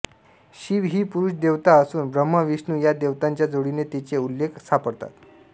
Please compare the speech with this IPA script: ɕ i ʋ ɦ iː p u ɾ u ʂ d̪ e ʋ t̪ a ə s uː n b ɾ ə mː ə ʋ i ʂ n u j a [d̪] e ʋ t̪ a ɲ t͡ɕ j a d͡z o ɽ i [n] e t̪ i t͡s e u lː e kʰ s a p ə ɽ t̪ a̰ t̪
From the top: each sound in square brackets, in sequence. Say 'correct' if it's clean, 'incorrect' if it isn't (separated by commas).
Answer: correct, correct